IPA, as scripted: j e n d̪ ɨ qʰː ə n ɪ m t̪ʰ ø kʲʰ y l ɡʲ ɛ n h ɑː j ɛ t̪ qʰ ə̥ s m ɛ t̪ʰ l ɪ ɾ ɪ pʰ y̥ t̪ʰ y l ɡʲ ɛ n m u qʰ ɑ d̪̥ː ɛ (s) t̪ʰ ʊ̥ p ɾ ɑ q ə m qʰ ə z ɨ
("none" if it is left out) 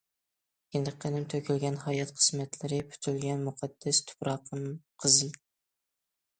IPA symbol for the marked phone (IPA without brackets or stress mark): s